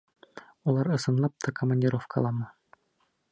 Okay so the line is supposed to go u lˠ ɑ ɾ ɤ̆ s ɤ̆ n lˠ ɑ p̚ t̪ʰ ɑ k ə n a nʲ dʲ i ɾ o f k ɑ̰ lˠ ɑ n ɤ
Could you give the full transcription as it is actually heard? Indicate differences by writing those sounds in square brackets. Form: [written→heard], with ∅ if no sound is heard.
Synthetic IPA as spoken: u lˠ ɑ ɾ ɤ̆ s ɤ̆ n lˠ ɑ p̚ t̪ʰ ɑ k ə [n→m] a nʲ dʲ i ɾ o f k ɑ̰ lˠ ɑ [n→m] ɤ